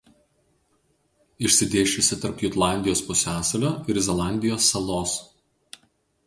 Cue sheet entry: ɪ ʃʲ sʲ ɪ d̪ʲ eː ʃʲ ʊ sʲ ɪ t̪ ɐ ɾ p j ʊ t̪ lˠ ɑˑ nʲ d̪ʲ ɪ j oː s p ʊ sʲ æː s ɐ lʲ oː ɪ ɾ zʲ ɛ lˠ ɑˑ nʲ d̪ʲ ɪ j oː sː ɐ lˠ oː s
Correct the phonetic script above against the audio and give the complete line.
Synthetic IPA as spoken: ɪ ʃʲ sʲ ɪ d̪ʲ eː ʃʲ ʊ sʲ ɪ t̪ ɐ ɾ p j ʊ t̪ lˠ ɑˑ nʲ d̪ʲ ɪ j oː s p ʊ sʲ æː s ɐ lʲ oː ɪ ɾ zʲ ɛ lˠ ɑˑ nʲ d̪ʲ ɪ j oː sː ɐ lˠ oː s